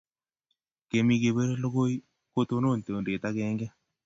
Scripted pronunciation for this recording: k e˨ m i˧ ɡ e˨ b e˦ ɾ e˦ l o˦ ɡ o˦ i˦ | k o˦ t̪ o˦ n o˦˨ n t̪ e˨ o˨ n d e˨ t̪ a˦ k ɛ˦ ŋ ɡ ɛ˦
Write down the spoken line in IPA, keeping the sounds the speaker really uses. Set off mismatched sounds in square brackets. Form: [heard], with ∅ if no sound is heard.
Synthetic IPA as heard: k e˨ m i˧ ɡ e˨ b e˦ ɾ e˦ l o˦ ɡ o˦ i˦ | k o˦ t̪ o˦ n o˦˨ n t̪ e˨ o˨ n d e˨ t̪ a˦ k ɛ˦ ŋ ɡ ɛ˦